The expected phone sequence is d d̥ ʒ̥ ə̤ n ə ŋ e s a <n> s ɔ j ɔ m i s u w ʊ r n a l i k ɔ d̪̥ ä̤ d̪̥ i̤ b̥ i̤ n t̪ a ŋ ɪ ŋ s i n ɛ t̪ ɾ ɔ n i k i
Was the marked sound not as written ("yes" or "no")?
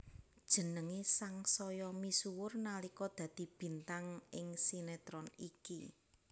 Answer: yes